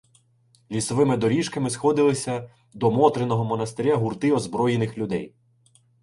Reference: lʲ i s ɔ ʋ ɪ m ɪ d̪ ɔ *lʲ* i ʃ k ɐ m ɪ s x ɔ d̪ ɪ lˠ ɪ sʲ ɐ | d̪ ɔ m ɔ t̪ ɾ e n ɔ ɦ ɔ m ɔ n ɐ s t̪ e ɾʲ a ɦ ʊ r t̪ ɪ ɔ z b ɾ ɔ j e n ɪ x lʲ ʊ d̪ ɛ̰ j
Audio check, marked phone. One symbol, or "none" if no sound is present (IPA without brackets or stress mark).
ɾʲ